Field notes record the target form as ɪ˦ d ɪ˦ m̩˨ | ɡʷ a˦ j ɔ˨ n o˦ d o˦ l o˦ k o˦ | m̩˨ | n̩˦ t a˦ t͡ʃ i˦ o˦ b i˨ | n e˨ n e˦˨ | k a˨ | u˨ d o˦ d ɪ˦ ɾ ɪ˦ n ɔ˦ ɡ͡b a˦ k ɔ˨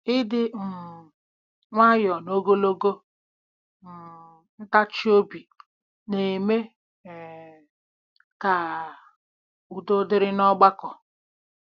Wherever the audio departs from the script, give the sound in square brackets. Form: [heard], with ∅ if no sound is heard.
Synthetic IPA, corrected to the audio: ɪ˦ d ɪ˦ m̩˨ | [ŋʷ] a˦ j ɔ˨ n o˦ [ɡ] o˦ l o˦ [ɡ] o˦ | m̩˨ | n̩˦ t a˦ t͡ʃ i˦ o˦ b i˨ | n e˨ [m] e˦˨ | k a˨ | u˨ d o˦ d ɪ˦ ɾ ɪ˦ n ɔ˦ ɡ͡b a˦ k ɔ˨